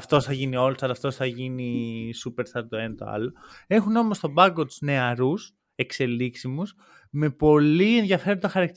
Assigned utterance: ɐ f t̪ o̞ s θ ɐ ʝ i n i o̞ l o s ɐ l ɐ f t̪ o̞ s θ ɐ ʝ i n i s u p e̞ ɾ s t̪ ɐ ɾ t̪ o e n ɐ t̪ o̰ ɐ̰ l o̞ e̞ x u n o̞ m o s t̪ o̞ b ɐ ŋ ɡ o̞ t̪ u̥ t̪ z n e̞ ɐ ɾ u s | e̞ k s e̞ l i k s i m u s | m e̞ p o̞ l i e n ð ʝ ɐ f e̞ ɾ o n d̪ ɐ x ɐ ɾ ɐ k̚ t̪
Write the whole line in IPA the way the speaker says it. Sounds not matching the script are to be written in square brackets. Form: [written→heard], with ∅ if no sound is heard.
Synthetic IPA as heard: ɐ f t̪ o̞ s θ ɐ ʝ i n i o̞ l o s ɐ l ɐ f t̪ o̞ s θ ɐ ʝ i n i s u p e̞ ɾ s t̪ ɐ ɾ t̪ o e n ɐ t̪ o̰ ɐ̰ l o̞ e̞ x u n o̞ m o s t̪ o̞ b ɐ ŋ ɡ o̞ t̪ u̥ [t̪→∅] z n e̞ ɐ ɾ u s | e̞ k s e̞ l i k s i m u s | m e̞ p o̞ l i e n ð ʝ ɐ f e̞ ɾ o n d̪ ɐ x ɐ ɾ ɐ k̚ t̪